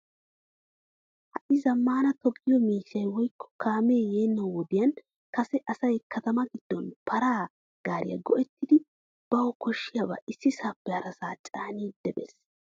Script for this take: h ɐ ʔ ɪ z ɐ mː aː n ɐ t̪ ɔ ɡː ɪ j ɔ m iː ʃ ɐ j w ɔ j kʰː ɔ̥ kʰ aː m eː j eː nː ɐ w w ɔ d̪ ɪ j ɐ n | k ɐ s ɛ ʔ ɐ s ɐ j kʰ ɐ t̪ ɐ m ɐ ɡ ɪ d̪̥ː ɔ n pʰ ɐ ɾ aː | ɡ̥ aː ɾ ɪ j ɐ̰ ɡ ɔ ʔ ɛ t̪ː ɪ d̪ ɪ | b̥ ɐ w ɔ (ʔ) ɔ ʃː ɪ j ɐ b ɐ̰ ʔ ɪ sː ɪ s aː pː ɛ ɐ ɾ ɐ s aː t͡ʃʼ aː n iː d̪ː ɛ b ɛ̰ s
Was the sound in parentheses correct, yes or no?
no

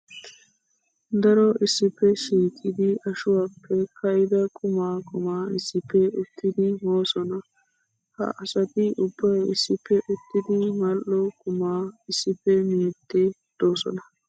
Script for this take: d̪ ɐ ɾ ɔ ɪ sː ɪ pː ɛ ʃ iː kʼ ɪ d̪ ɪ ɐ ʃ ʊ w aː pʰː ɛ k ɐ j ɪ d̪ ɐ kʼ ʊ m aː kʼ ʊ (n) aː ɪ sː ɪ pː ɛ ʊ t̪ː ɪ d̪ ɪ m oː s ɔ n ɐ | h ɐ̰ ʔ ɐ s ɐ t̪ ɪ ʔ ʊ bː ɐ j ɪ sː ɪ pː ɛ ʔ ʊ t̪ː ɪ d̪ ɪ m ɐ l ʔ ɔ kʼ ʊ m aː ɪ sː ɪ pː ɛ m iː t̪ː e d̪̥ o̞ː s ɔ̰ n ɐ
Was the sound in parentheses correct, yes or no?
no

